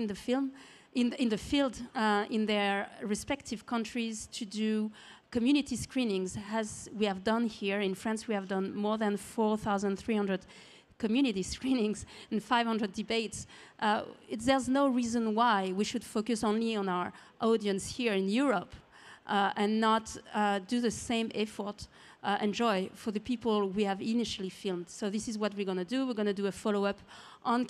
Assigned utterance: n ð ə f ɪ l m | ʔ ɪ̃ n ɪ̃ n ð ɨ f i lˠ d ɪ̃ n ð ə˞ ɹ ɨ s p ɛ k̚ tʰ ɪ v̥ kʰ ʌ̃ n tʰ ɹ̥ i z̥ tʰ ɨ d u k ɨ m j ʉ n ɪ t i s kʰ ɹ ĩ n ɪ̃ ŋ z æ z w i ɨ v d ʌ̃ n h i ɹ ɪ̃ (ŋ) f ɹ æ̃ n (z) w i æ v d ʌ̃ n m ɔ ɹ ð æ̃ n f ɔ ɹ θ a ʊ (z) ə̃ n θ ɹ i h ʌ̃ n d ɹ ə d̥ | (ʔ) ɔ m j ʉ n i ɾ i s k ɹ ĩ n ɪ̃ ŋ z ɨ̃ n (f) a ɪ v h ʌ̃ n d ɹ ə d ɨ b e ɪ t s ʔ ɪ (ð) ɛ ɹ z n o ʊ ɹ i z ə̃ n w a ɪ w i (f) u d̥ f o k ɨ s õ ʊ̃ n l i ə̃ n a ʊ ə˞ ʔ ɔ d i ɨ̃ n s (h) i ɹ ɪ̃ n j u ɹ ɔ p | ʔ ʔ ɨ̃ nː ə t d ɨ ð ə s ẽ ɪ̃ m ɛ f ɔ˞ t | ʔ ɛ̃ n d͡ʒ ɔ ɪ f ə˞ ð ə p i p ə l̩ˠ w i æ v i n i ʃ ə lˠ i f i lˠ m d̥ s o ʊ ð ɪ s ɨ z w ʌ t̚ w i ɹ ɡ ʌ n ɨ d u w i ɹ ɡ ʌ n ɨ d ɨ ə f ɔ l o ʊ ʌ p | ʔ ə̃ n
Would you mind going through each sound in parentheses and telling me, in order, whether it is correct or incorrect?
incorrect: n, incorrect: s, correct, incorrect: k, correct, correct, incorrect: ʃ, correct

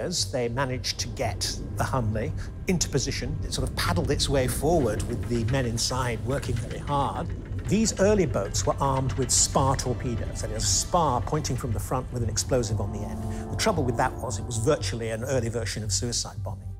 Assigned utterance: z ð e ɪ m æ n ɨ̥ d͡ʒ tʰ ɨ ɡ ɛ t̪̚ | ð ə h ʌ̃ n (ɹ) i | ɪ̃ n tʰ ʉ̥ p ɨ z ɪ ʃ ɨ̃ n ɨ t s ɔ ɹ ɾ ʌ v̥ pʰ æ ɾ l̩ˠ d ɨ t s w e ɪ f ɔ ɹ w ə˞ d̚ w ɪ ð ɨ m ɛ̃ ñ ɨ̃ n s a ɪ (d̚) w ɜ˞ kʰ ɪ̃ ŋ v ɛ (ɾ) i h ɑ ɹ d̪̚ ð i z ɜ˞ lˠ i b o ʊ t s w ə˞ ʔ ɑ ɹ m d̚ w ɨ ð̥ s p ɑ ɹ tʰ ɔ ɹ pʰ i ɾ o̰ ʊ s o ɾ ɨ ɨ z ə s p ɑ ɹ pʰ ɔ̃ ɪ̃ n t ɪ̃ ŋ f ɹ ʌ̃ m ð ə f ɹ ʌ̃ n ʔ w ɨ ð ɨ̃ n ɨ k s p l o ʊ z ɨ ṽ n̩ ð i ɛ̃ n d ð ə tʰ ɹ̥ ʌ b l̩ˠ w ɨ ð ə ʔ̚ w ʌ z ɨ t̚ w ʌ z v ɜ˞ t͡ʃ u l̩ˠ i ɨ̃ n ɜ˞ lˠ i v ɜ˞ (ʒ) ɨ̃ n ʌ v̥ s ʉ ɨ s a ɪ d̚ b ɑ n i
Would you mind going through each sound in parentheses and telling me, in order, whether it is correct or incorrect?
incorrect: l, correct, incorrect: ɹ, incorrect: ʃ

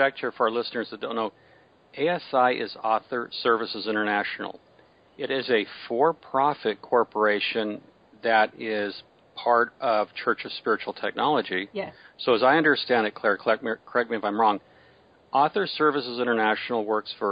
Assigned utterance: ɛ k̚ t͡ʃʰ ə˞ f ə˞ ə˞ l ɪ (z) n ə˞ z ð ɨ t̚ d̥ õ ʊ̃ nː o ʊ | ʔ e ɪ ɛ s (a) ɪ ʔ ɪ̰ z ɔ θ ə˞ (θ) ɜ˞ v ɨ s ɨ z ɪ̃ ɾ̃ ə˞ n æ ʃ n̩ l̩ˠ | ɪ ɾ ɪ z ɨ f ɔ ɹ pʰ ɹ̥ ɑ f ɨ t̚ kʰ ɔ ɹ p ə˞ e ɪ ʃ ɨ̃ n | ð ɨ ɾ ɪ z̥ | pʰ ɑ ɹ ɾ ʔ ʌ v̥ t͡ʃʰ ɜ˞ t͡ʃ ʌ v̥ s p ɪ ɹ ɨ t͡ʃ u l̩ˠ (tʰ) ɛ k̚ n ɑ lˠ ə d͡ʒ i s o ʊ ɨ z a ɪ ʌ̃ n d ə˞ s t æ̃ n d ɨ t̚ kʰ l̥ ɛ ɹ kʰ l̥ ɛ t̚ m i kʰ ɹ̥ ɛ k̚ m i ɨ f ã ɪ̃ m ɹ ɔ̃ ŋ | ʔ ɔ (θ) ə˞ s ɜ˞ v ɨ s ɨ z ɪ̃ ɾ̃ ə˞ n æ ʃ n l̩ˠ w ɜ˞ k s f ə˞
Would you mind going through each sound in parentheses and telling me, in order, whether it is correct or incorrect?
incorrect: s, correct, incorrect: s, correct, correct

